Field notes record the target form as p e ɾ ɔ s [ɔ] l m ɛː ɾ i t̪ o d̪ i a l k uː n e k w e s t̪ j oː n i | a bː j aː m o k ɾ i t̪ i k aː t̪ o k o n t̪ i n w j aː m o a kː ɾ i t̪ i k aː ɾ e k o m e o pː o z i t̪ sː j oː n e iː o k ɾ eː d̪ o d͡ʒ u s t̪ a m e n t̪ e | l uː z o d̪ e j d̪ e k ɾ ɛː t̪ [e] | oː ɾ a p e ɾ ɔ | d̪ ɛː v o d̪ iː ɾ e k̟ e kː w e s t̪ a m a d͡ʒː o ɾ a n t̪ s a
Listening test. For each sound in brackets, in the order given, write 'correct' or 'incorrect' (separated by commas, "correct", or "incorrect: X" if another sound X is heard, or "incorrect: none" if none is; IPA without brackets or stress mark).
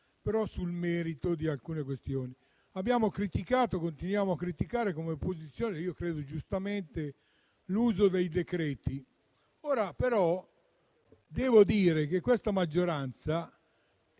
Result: incorrect: u, incorrect: i